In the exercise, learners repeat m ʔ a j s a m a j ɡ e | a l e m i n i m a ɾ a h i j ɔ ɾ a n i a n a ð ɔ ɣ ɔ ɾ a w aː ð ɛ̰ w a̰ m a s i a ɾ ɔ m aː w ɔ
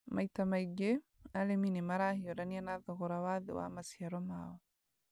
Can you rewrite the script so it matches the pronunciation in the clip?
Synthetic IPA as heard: m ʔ a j t a m a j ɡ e | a l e m i n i m a ɾ a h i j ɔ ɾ a n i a n a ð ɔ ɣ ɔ ɾ a w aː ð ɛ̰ w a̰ m a s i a ɾ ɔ m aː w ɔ